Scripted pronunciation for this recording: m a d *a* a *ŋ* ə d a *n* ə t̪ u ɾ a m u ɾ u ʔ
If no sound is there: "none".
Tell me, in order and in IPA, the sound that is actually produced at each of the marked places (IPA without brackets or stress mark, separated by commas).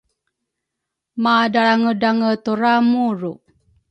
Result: a, ŋ, ŋ